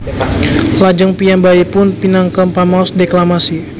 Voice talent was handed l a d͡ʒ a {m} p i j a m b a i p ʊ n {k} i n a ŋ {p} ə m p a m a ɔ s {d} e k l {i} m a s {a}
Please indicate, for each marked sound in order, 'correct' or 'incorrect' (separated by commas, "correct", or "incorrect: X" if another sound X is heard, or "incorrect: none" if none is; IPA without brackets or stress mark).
incorrect: ŋ, incorrect: p, incorrect: k, correct, incorrect: a, incorrect: i